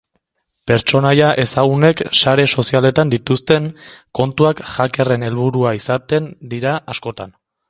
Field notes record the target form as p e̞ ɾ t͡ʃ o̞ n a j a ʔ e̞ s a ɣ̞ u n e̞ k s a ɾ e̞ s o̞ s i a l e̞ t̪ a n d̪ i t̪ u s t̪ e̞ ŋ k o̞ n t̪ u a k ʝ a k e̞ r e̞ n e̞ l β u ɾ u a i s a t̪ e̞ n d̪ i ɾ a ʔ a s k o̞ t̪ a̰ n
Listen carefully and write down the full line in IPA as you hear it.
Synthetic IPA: p e̞ ɾ t͡ʃ o̞ n a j a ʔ e̞ s a ɣ̞ u n e̞ k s a ɾ e̞ s o̞ s i a l e̞ t̪ a n d̪ i t̪ u s t̪ e̞ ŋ k o̞ n t̪ u a k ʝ a k e̞ r e̞ n e̞ l β u ɾ u a i s a t̪ e̞ n d̪ i ɾ a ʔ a s k o̞ t̪ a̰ n